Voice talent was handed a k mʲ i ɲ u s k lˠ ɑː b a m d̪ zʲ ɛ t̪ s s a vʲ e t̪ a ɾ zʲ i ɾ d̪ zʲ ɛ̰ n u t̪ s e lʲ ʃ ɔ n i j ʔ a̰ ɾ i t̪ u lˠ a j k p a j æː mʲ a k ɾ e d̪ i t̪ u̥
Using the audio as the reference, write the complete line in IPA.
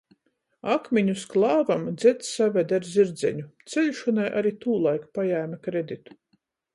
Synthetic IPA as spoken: a k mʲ i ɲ u s k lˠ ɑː v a m d̪ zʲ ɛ t̪ s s a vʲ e d̪ a ɾ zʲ i ɾ d̪ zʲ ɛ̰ ɲ u t̪ s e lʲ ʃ ɔ n a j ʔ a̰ ɾ i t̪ uː lˠ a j k p a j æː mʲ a k ɾ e d̪ i t̪ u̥